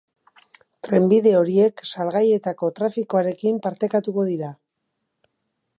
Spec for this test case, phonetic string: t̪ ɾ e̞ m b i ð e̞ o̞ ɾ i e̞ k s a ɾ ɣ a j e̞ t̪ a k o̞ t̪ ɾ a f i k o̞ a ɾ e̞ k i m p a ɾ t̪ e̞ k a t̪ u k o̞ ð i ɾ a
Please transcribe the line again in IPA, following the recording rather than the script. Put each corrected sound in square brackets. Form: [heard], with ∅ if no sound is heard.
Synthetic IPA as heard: t̪ ɾ e̞ m b i ð e̞ o̞ ɾ i e̞ k s a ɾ ɣ a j e̞ t̪ a k o̞ t̪ ɾ a f i k o̞ a ɾ e̞ k i m p a ɾ t̪ e̞ k a t̪ u k o̞ ð i ɾ a